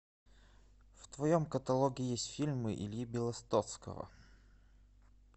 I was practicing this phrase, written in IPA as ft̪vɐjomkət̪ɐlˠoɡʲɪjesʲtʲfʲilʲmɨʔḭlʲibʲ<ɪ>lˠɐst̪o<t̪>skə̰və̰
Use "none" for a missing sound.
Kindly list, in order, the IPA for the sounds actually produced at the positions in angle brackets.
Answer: ɪ, t̪

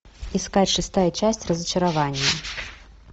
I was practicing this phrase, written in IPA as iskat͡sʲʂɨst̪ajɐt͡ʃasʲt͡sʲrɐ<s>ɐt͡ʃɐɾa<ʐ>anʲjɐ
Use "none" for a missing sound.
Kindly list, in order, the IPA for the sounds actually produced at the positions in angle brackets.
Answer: z, v

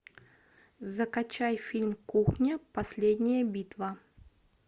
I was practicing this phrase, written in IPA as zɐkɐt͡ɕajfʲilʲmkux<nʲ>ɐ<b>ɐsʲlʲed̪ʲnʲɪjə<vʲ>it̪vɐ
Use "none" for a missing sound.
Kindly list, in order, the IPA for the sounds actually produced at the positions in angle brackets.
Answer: nʲ, p, bʲ

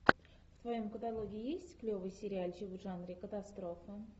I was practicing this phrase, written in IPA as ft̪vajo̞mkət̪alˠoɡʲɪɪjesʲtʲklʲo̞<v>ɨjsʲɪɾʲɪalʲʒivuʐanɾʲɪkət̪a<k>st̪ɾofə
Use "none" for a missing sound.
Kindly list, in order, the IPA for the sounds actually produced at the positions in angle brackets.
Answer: v, none

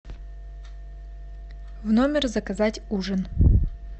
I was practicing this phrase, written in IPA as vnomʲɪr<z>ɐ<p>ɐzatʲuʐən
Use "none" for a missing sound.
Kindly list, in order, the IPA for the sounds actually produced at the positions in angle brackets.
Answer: z, k

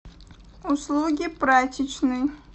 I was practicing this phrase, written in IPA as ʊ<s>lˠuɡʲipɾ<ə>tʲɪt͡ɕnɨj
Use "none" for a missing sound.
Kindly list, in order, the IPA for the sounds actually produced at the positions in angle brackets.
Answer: s, a

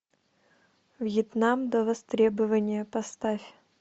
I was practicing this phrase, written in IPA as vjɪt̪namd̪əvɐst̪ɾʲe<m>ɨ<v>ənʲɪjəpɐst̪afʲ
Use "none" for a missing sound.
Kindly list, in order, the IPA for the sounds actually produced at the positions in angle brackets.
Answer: b, v

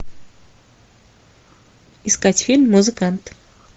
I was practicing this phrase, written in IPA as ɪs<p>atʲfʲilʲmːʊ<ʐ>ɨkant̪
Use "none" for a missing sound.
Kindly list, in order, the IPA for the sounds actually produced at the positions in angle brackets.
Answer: k, z

